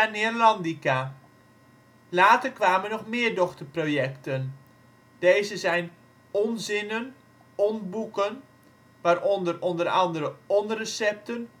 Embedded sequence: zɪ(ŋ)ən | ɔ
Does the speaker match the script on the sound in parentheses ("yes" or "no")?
no